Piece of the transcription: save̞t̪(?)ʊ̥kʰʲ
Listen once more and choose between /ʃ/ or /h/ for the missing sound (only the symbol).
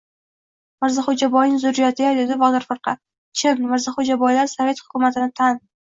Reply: h